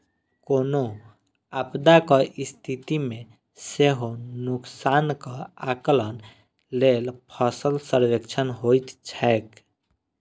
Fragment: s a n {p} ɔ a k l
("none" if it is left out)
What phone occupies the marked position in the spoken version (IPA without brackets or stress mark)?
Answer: k